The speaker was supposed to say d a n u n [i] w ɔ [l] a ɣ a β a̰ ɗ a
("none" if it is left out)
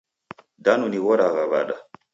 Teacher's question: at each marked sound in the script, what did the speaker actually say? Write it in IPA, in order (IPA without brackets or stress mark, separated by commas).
i, ɾ